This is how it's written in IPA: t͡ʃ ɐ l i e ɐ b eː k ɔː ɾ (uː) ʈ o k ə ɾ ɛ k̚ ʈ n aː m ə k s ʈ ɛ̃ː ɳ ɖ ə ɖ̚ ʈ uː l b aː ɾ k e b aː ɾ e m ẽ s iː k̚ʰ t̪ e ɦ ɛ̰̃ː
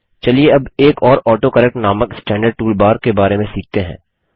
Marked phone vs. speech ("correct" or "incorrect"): incorrect